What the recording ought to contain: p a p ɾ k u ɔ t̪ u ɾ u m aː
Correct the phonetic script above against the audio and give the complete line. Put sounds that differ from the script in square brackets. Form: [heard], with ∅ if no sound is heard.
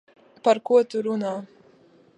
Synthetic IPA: p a [∅] ɾ k u ɔ t̪ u ɾ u [n] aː